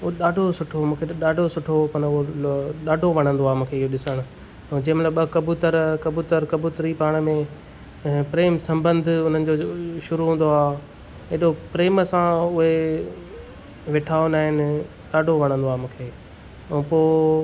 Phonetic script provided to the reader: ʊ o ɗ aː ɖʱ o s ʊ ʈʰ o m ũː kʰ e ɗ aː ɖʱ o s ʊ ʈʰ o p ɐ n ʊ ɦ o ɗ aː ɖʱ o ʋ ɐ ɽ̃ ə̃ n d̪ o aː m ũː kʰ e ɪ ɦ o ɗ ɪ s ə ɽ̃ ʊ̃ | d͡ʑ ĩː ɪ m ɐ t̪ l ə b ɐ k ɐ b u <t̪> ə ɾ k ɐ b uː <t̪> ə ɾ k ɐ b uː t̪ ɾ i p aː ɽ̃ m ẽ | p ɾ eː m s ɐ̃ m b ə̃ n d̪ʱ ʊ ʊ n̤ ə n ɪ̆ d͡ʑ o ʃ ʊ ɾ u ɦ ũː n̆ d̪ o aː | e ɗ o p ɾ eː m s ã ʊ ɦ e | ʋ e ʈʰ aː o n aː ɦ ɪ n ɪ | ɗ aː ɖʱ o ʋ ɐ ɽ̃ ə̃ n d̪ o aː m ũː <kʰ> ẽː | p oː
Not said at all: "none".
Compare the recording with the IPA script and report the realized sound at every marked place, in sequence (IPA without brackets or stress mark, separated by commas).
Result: t̪, t̪, kʰ